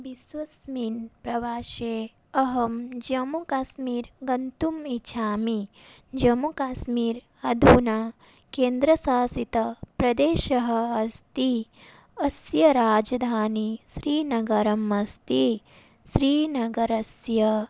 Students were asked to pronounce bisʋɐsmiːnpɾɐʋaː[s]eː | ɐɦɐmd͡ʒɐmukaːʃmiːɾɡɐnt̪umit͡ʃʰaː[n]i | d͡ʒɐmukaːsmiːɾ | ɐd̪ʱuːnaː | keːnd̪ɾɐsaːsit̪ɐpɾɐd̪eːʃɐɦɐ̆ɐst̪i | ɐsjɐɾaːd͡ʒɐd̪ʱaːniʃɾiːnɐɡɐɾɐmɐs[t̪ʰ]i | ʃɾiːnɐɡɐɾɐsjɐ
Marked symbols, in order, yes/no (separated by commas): no, no, no